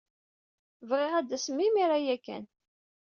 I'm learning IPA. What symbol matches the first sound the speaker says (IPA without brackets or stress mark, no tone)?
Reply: v